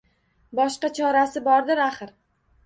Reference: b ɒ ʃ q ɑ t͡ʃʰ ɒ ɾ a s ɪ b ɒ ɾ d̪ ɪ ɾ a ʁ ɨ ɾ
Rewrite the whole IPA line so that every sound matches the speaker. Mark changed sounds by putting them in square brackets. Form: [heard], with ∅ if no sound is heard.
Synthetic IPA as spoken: b ɒ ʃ q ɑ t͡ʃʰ ɒ ɾ a s ɪ b ɒ ɾ d̪ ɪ ɾ a [χ] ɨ ɾ